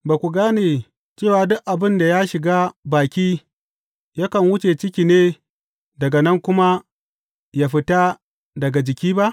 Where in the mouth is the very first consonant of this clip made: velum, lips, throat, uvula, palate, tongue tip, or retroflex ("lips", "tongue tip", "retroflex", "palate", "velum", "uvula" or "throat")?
lips